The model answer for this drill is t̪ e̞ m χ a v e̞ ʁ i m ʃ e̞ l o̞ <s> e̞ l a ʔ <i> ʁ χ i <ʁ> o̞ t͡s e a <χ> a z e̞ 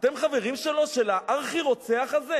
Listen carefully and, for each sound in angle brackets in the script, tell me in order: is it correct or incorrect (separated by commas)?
incorrect, incorrect, correct, correct